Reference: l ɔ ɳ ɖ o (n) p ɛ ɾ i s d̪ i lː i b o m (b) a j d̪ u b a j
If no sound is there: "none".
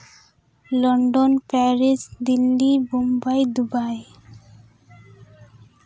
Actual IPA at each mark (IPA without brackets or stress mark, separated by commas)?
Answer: n, b